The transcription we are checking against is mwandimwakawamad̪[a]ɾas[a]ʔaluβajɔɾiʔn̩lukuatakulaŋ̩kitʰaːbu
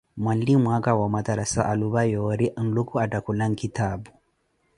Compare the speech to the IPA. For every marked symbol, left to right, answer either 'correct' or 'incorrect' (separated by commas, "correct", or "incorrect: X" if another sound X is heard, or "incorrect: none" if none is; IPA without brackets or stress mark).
correct, correct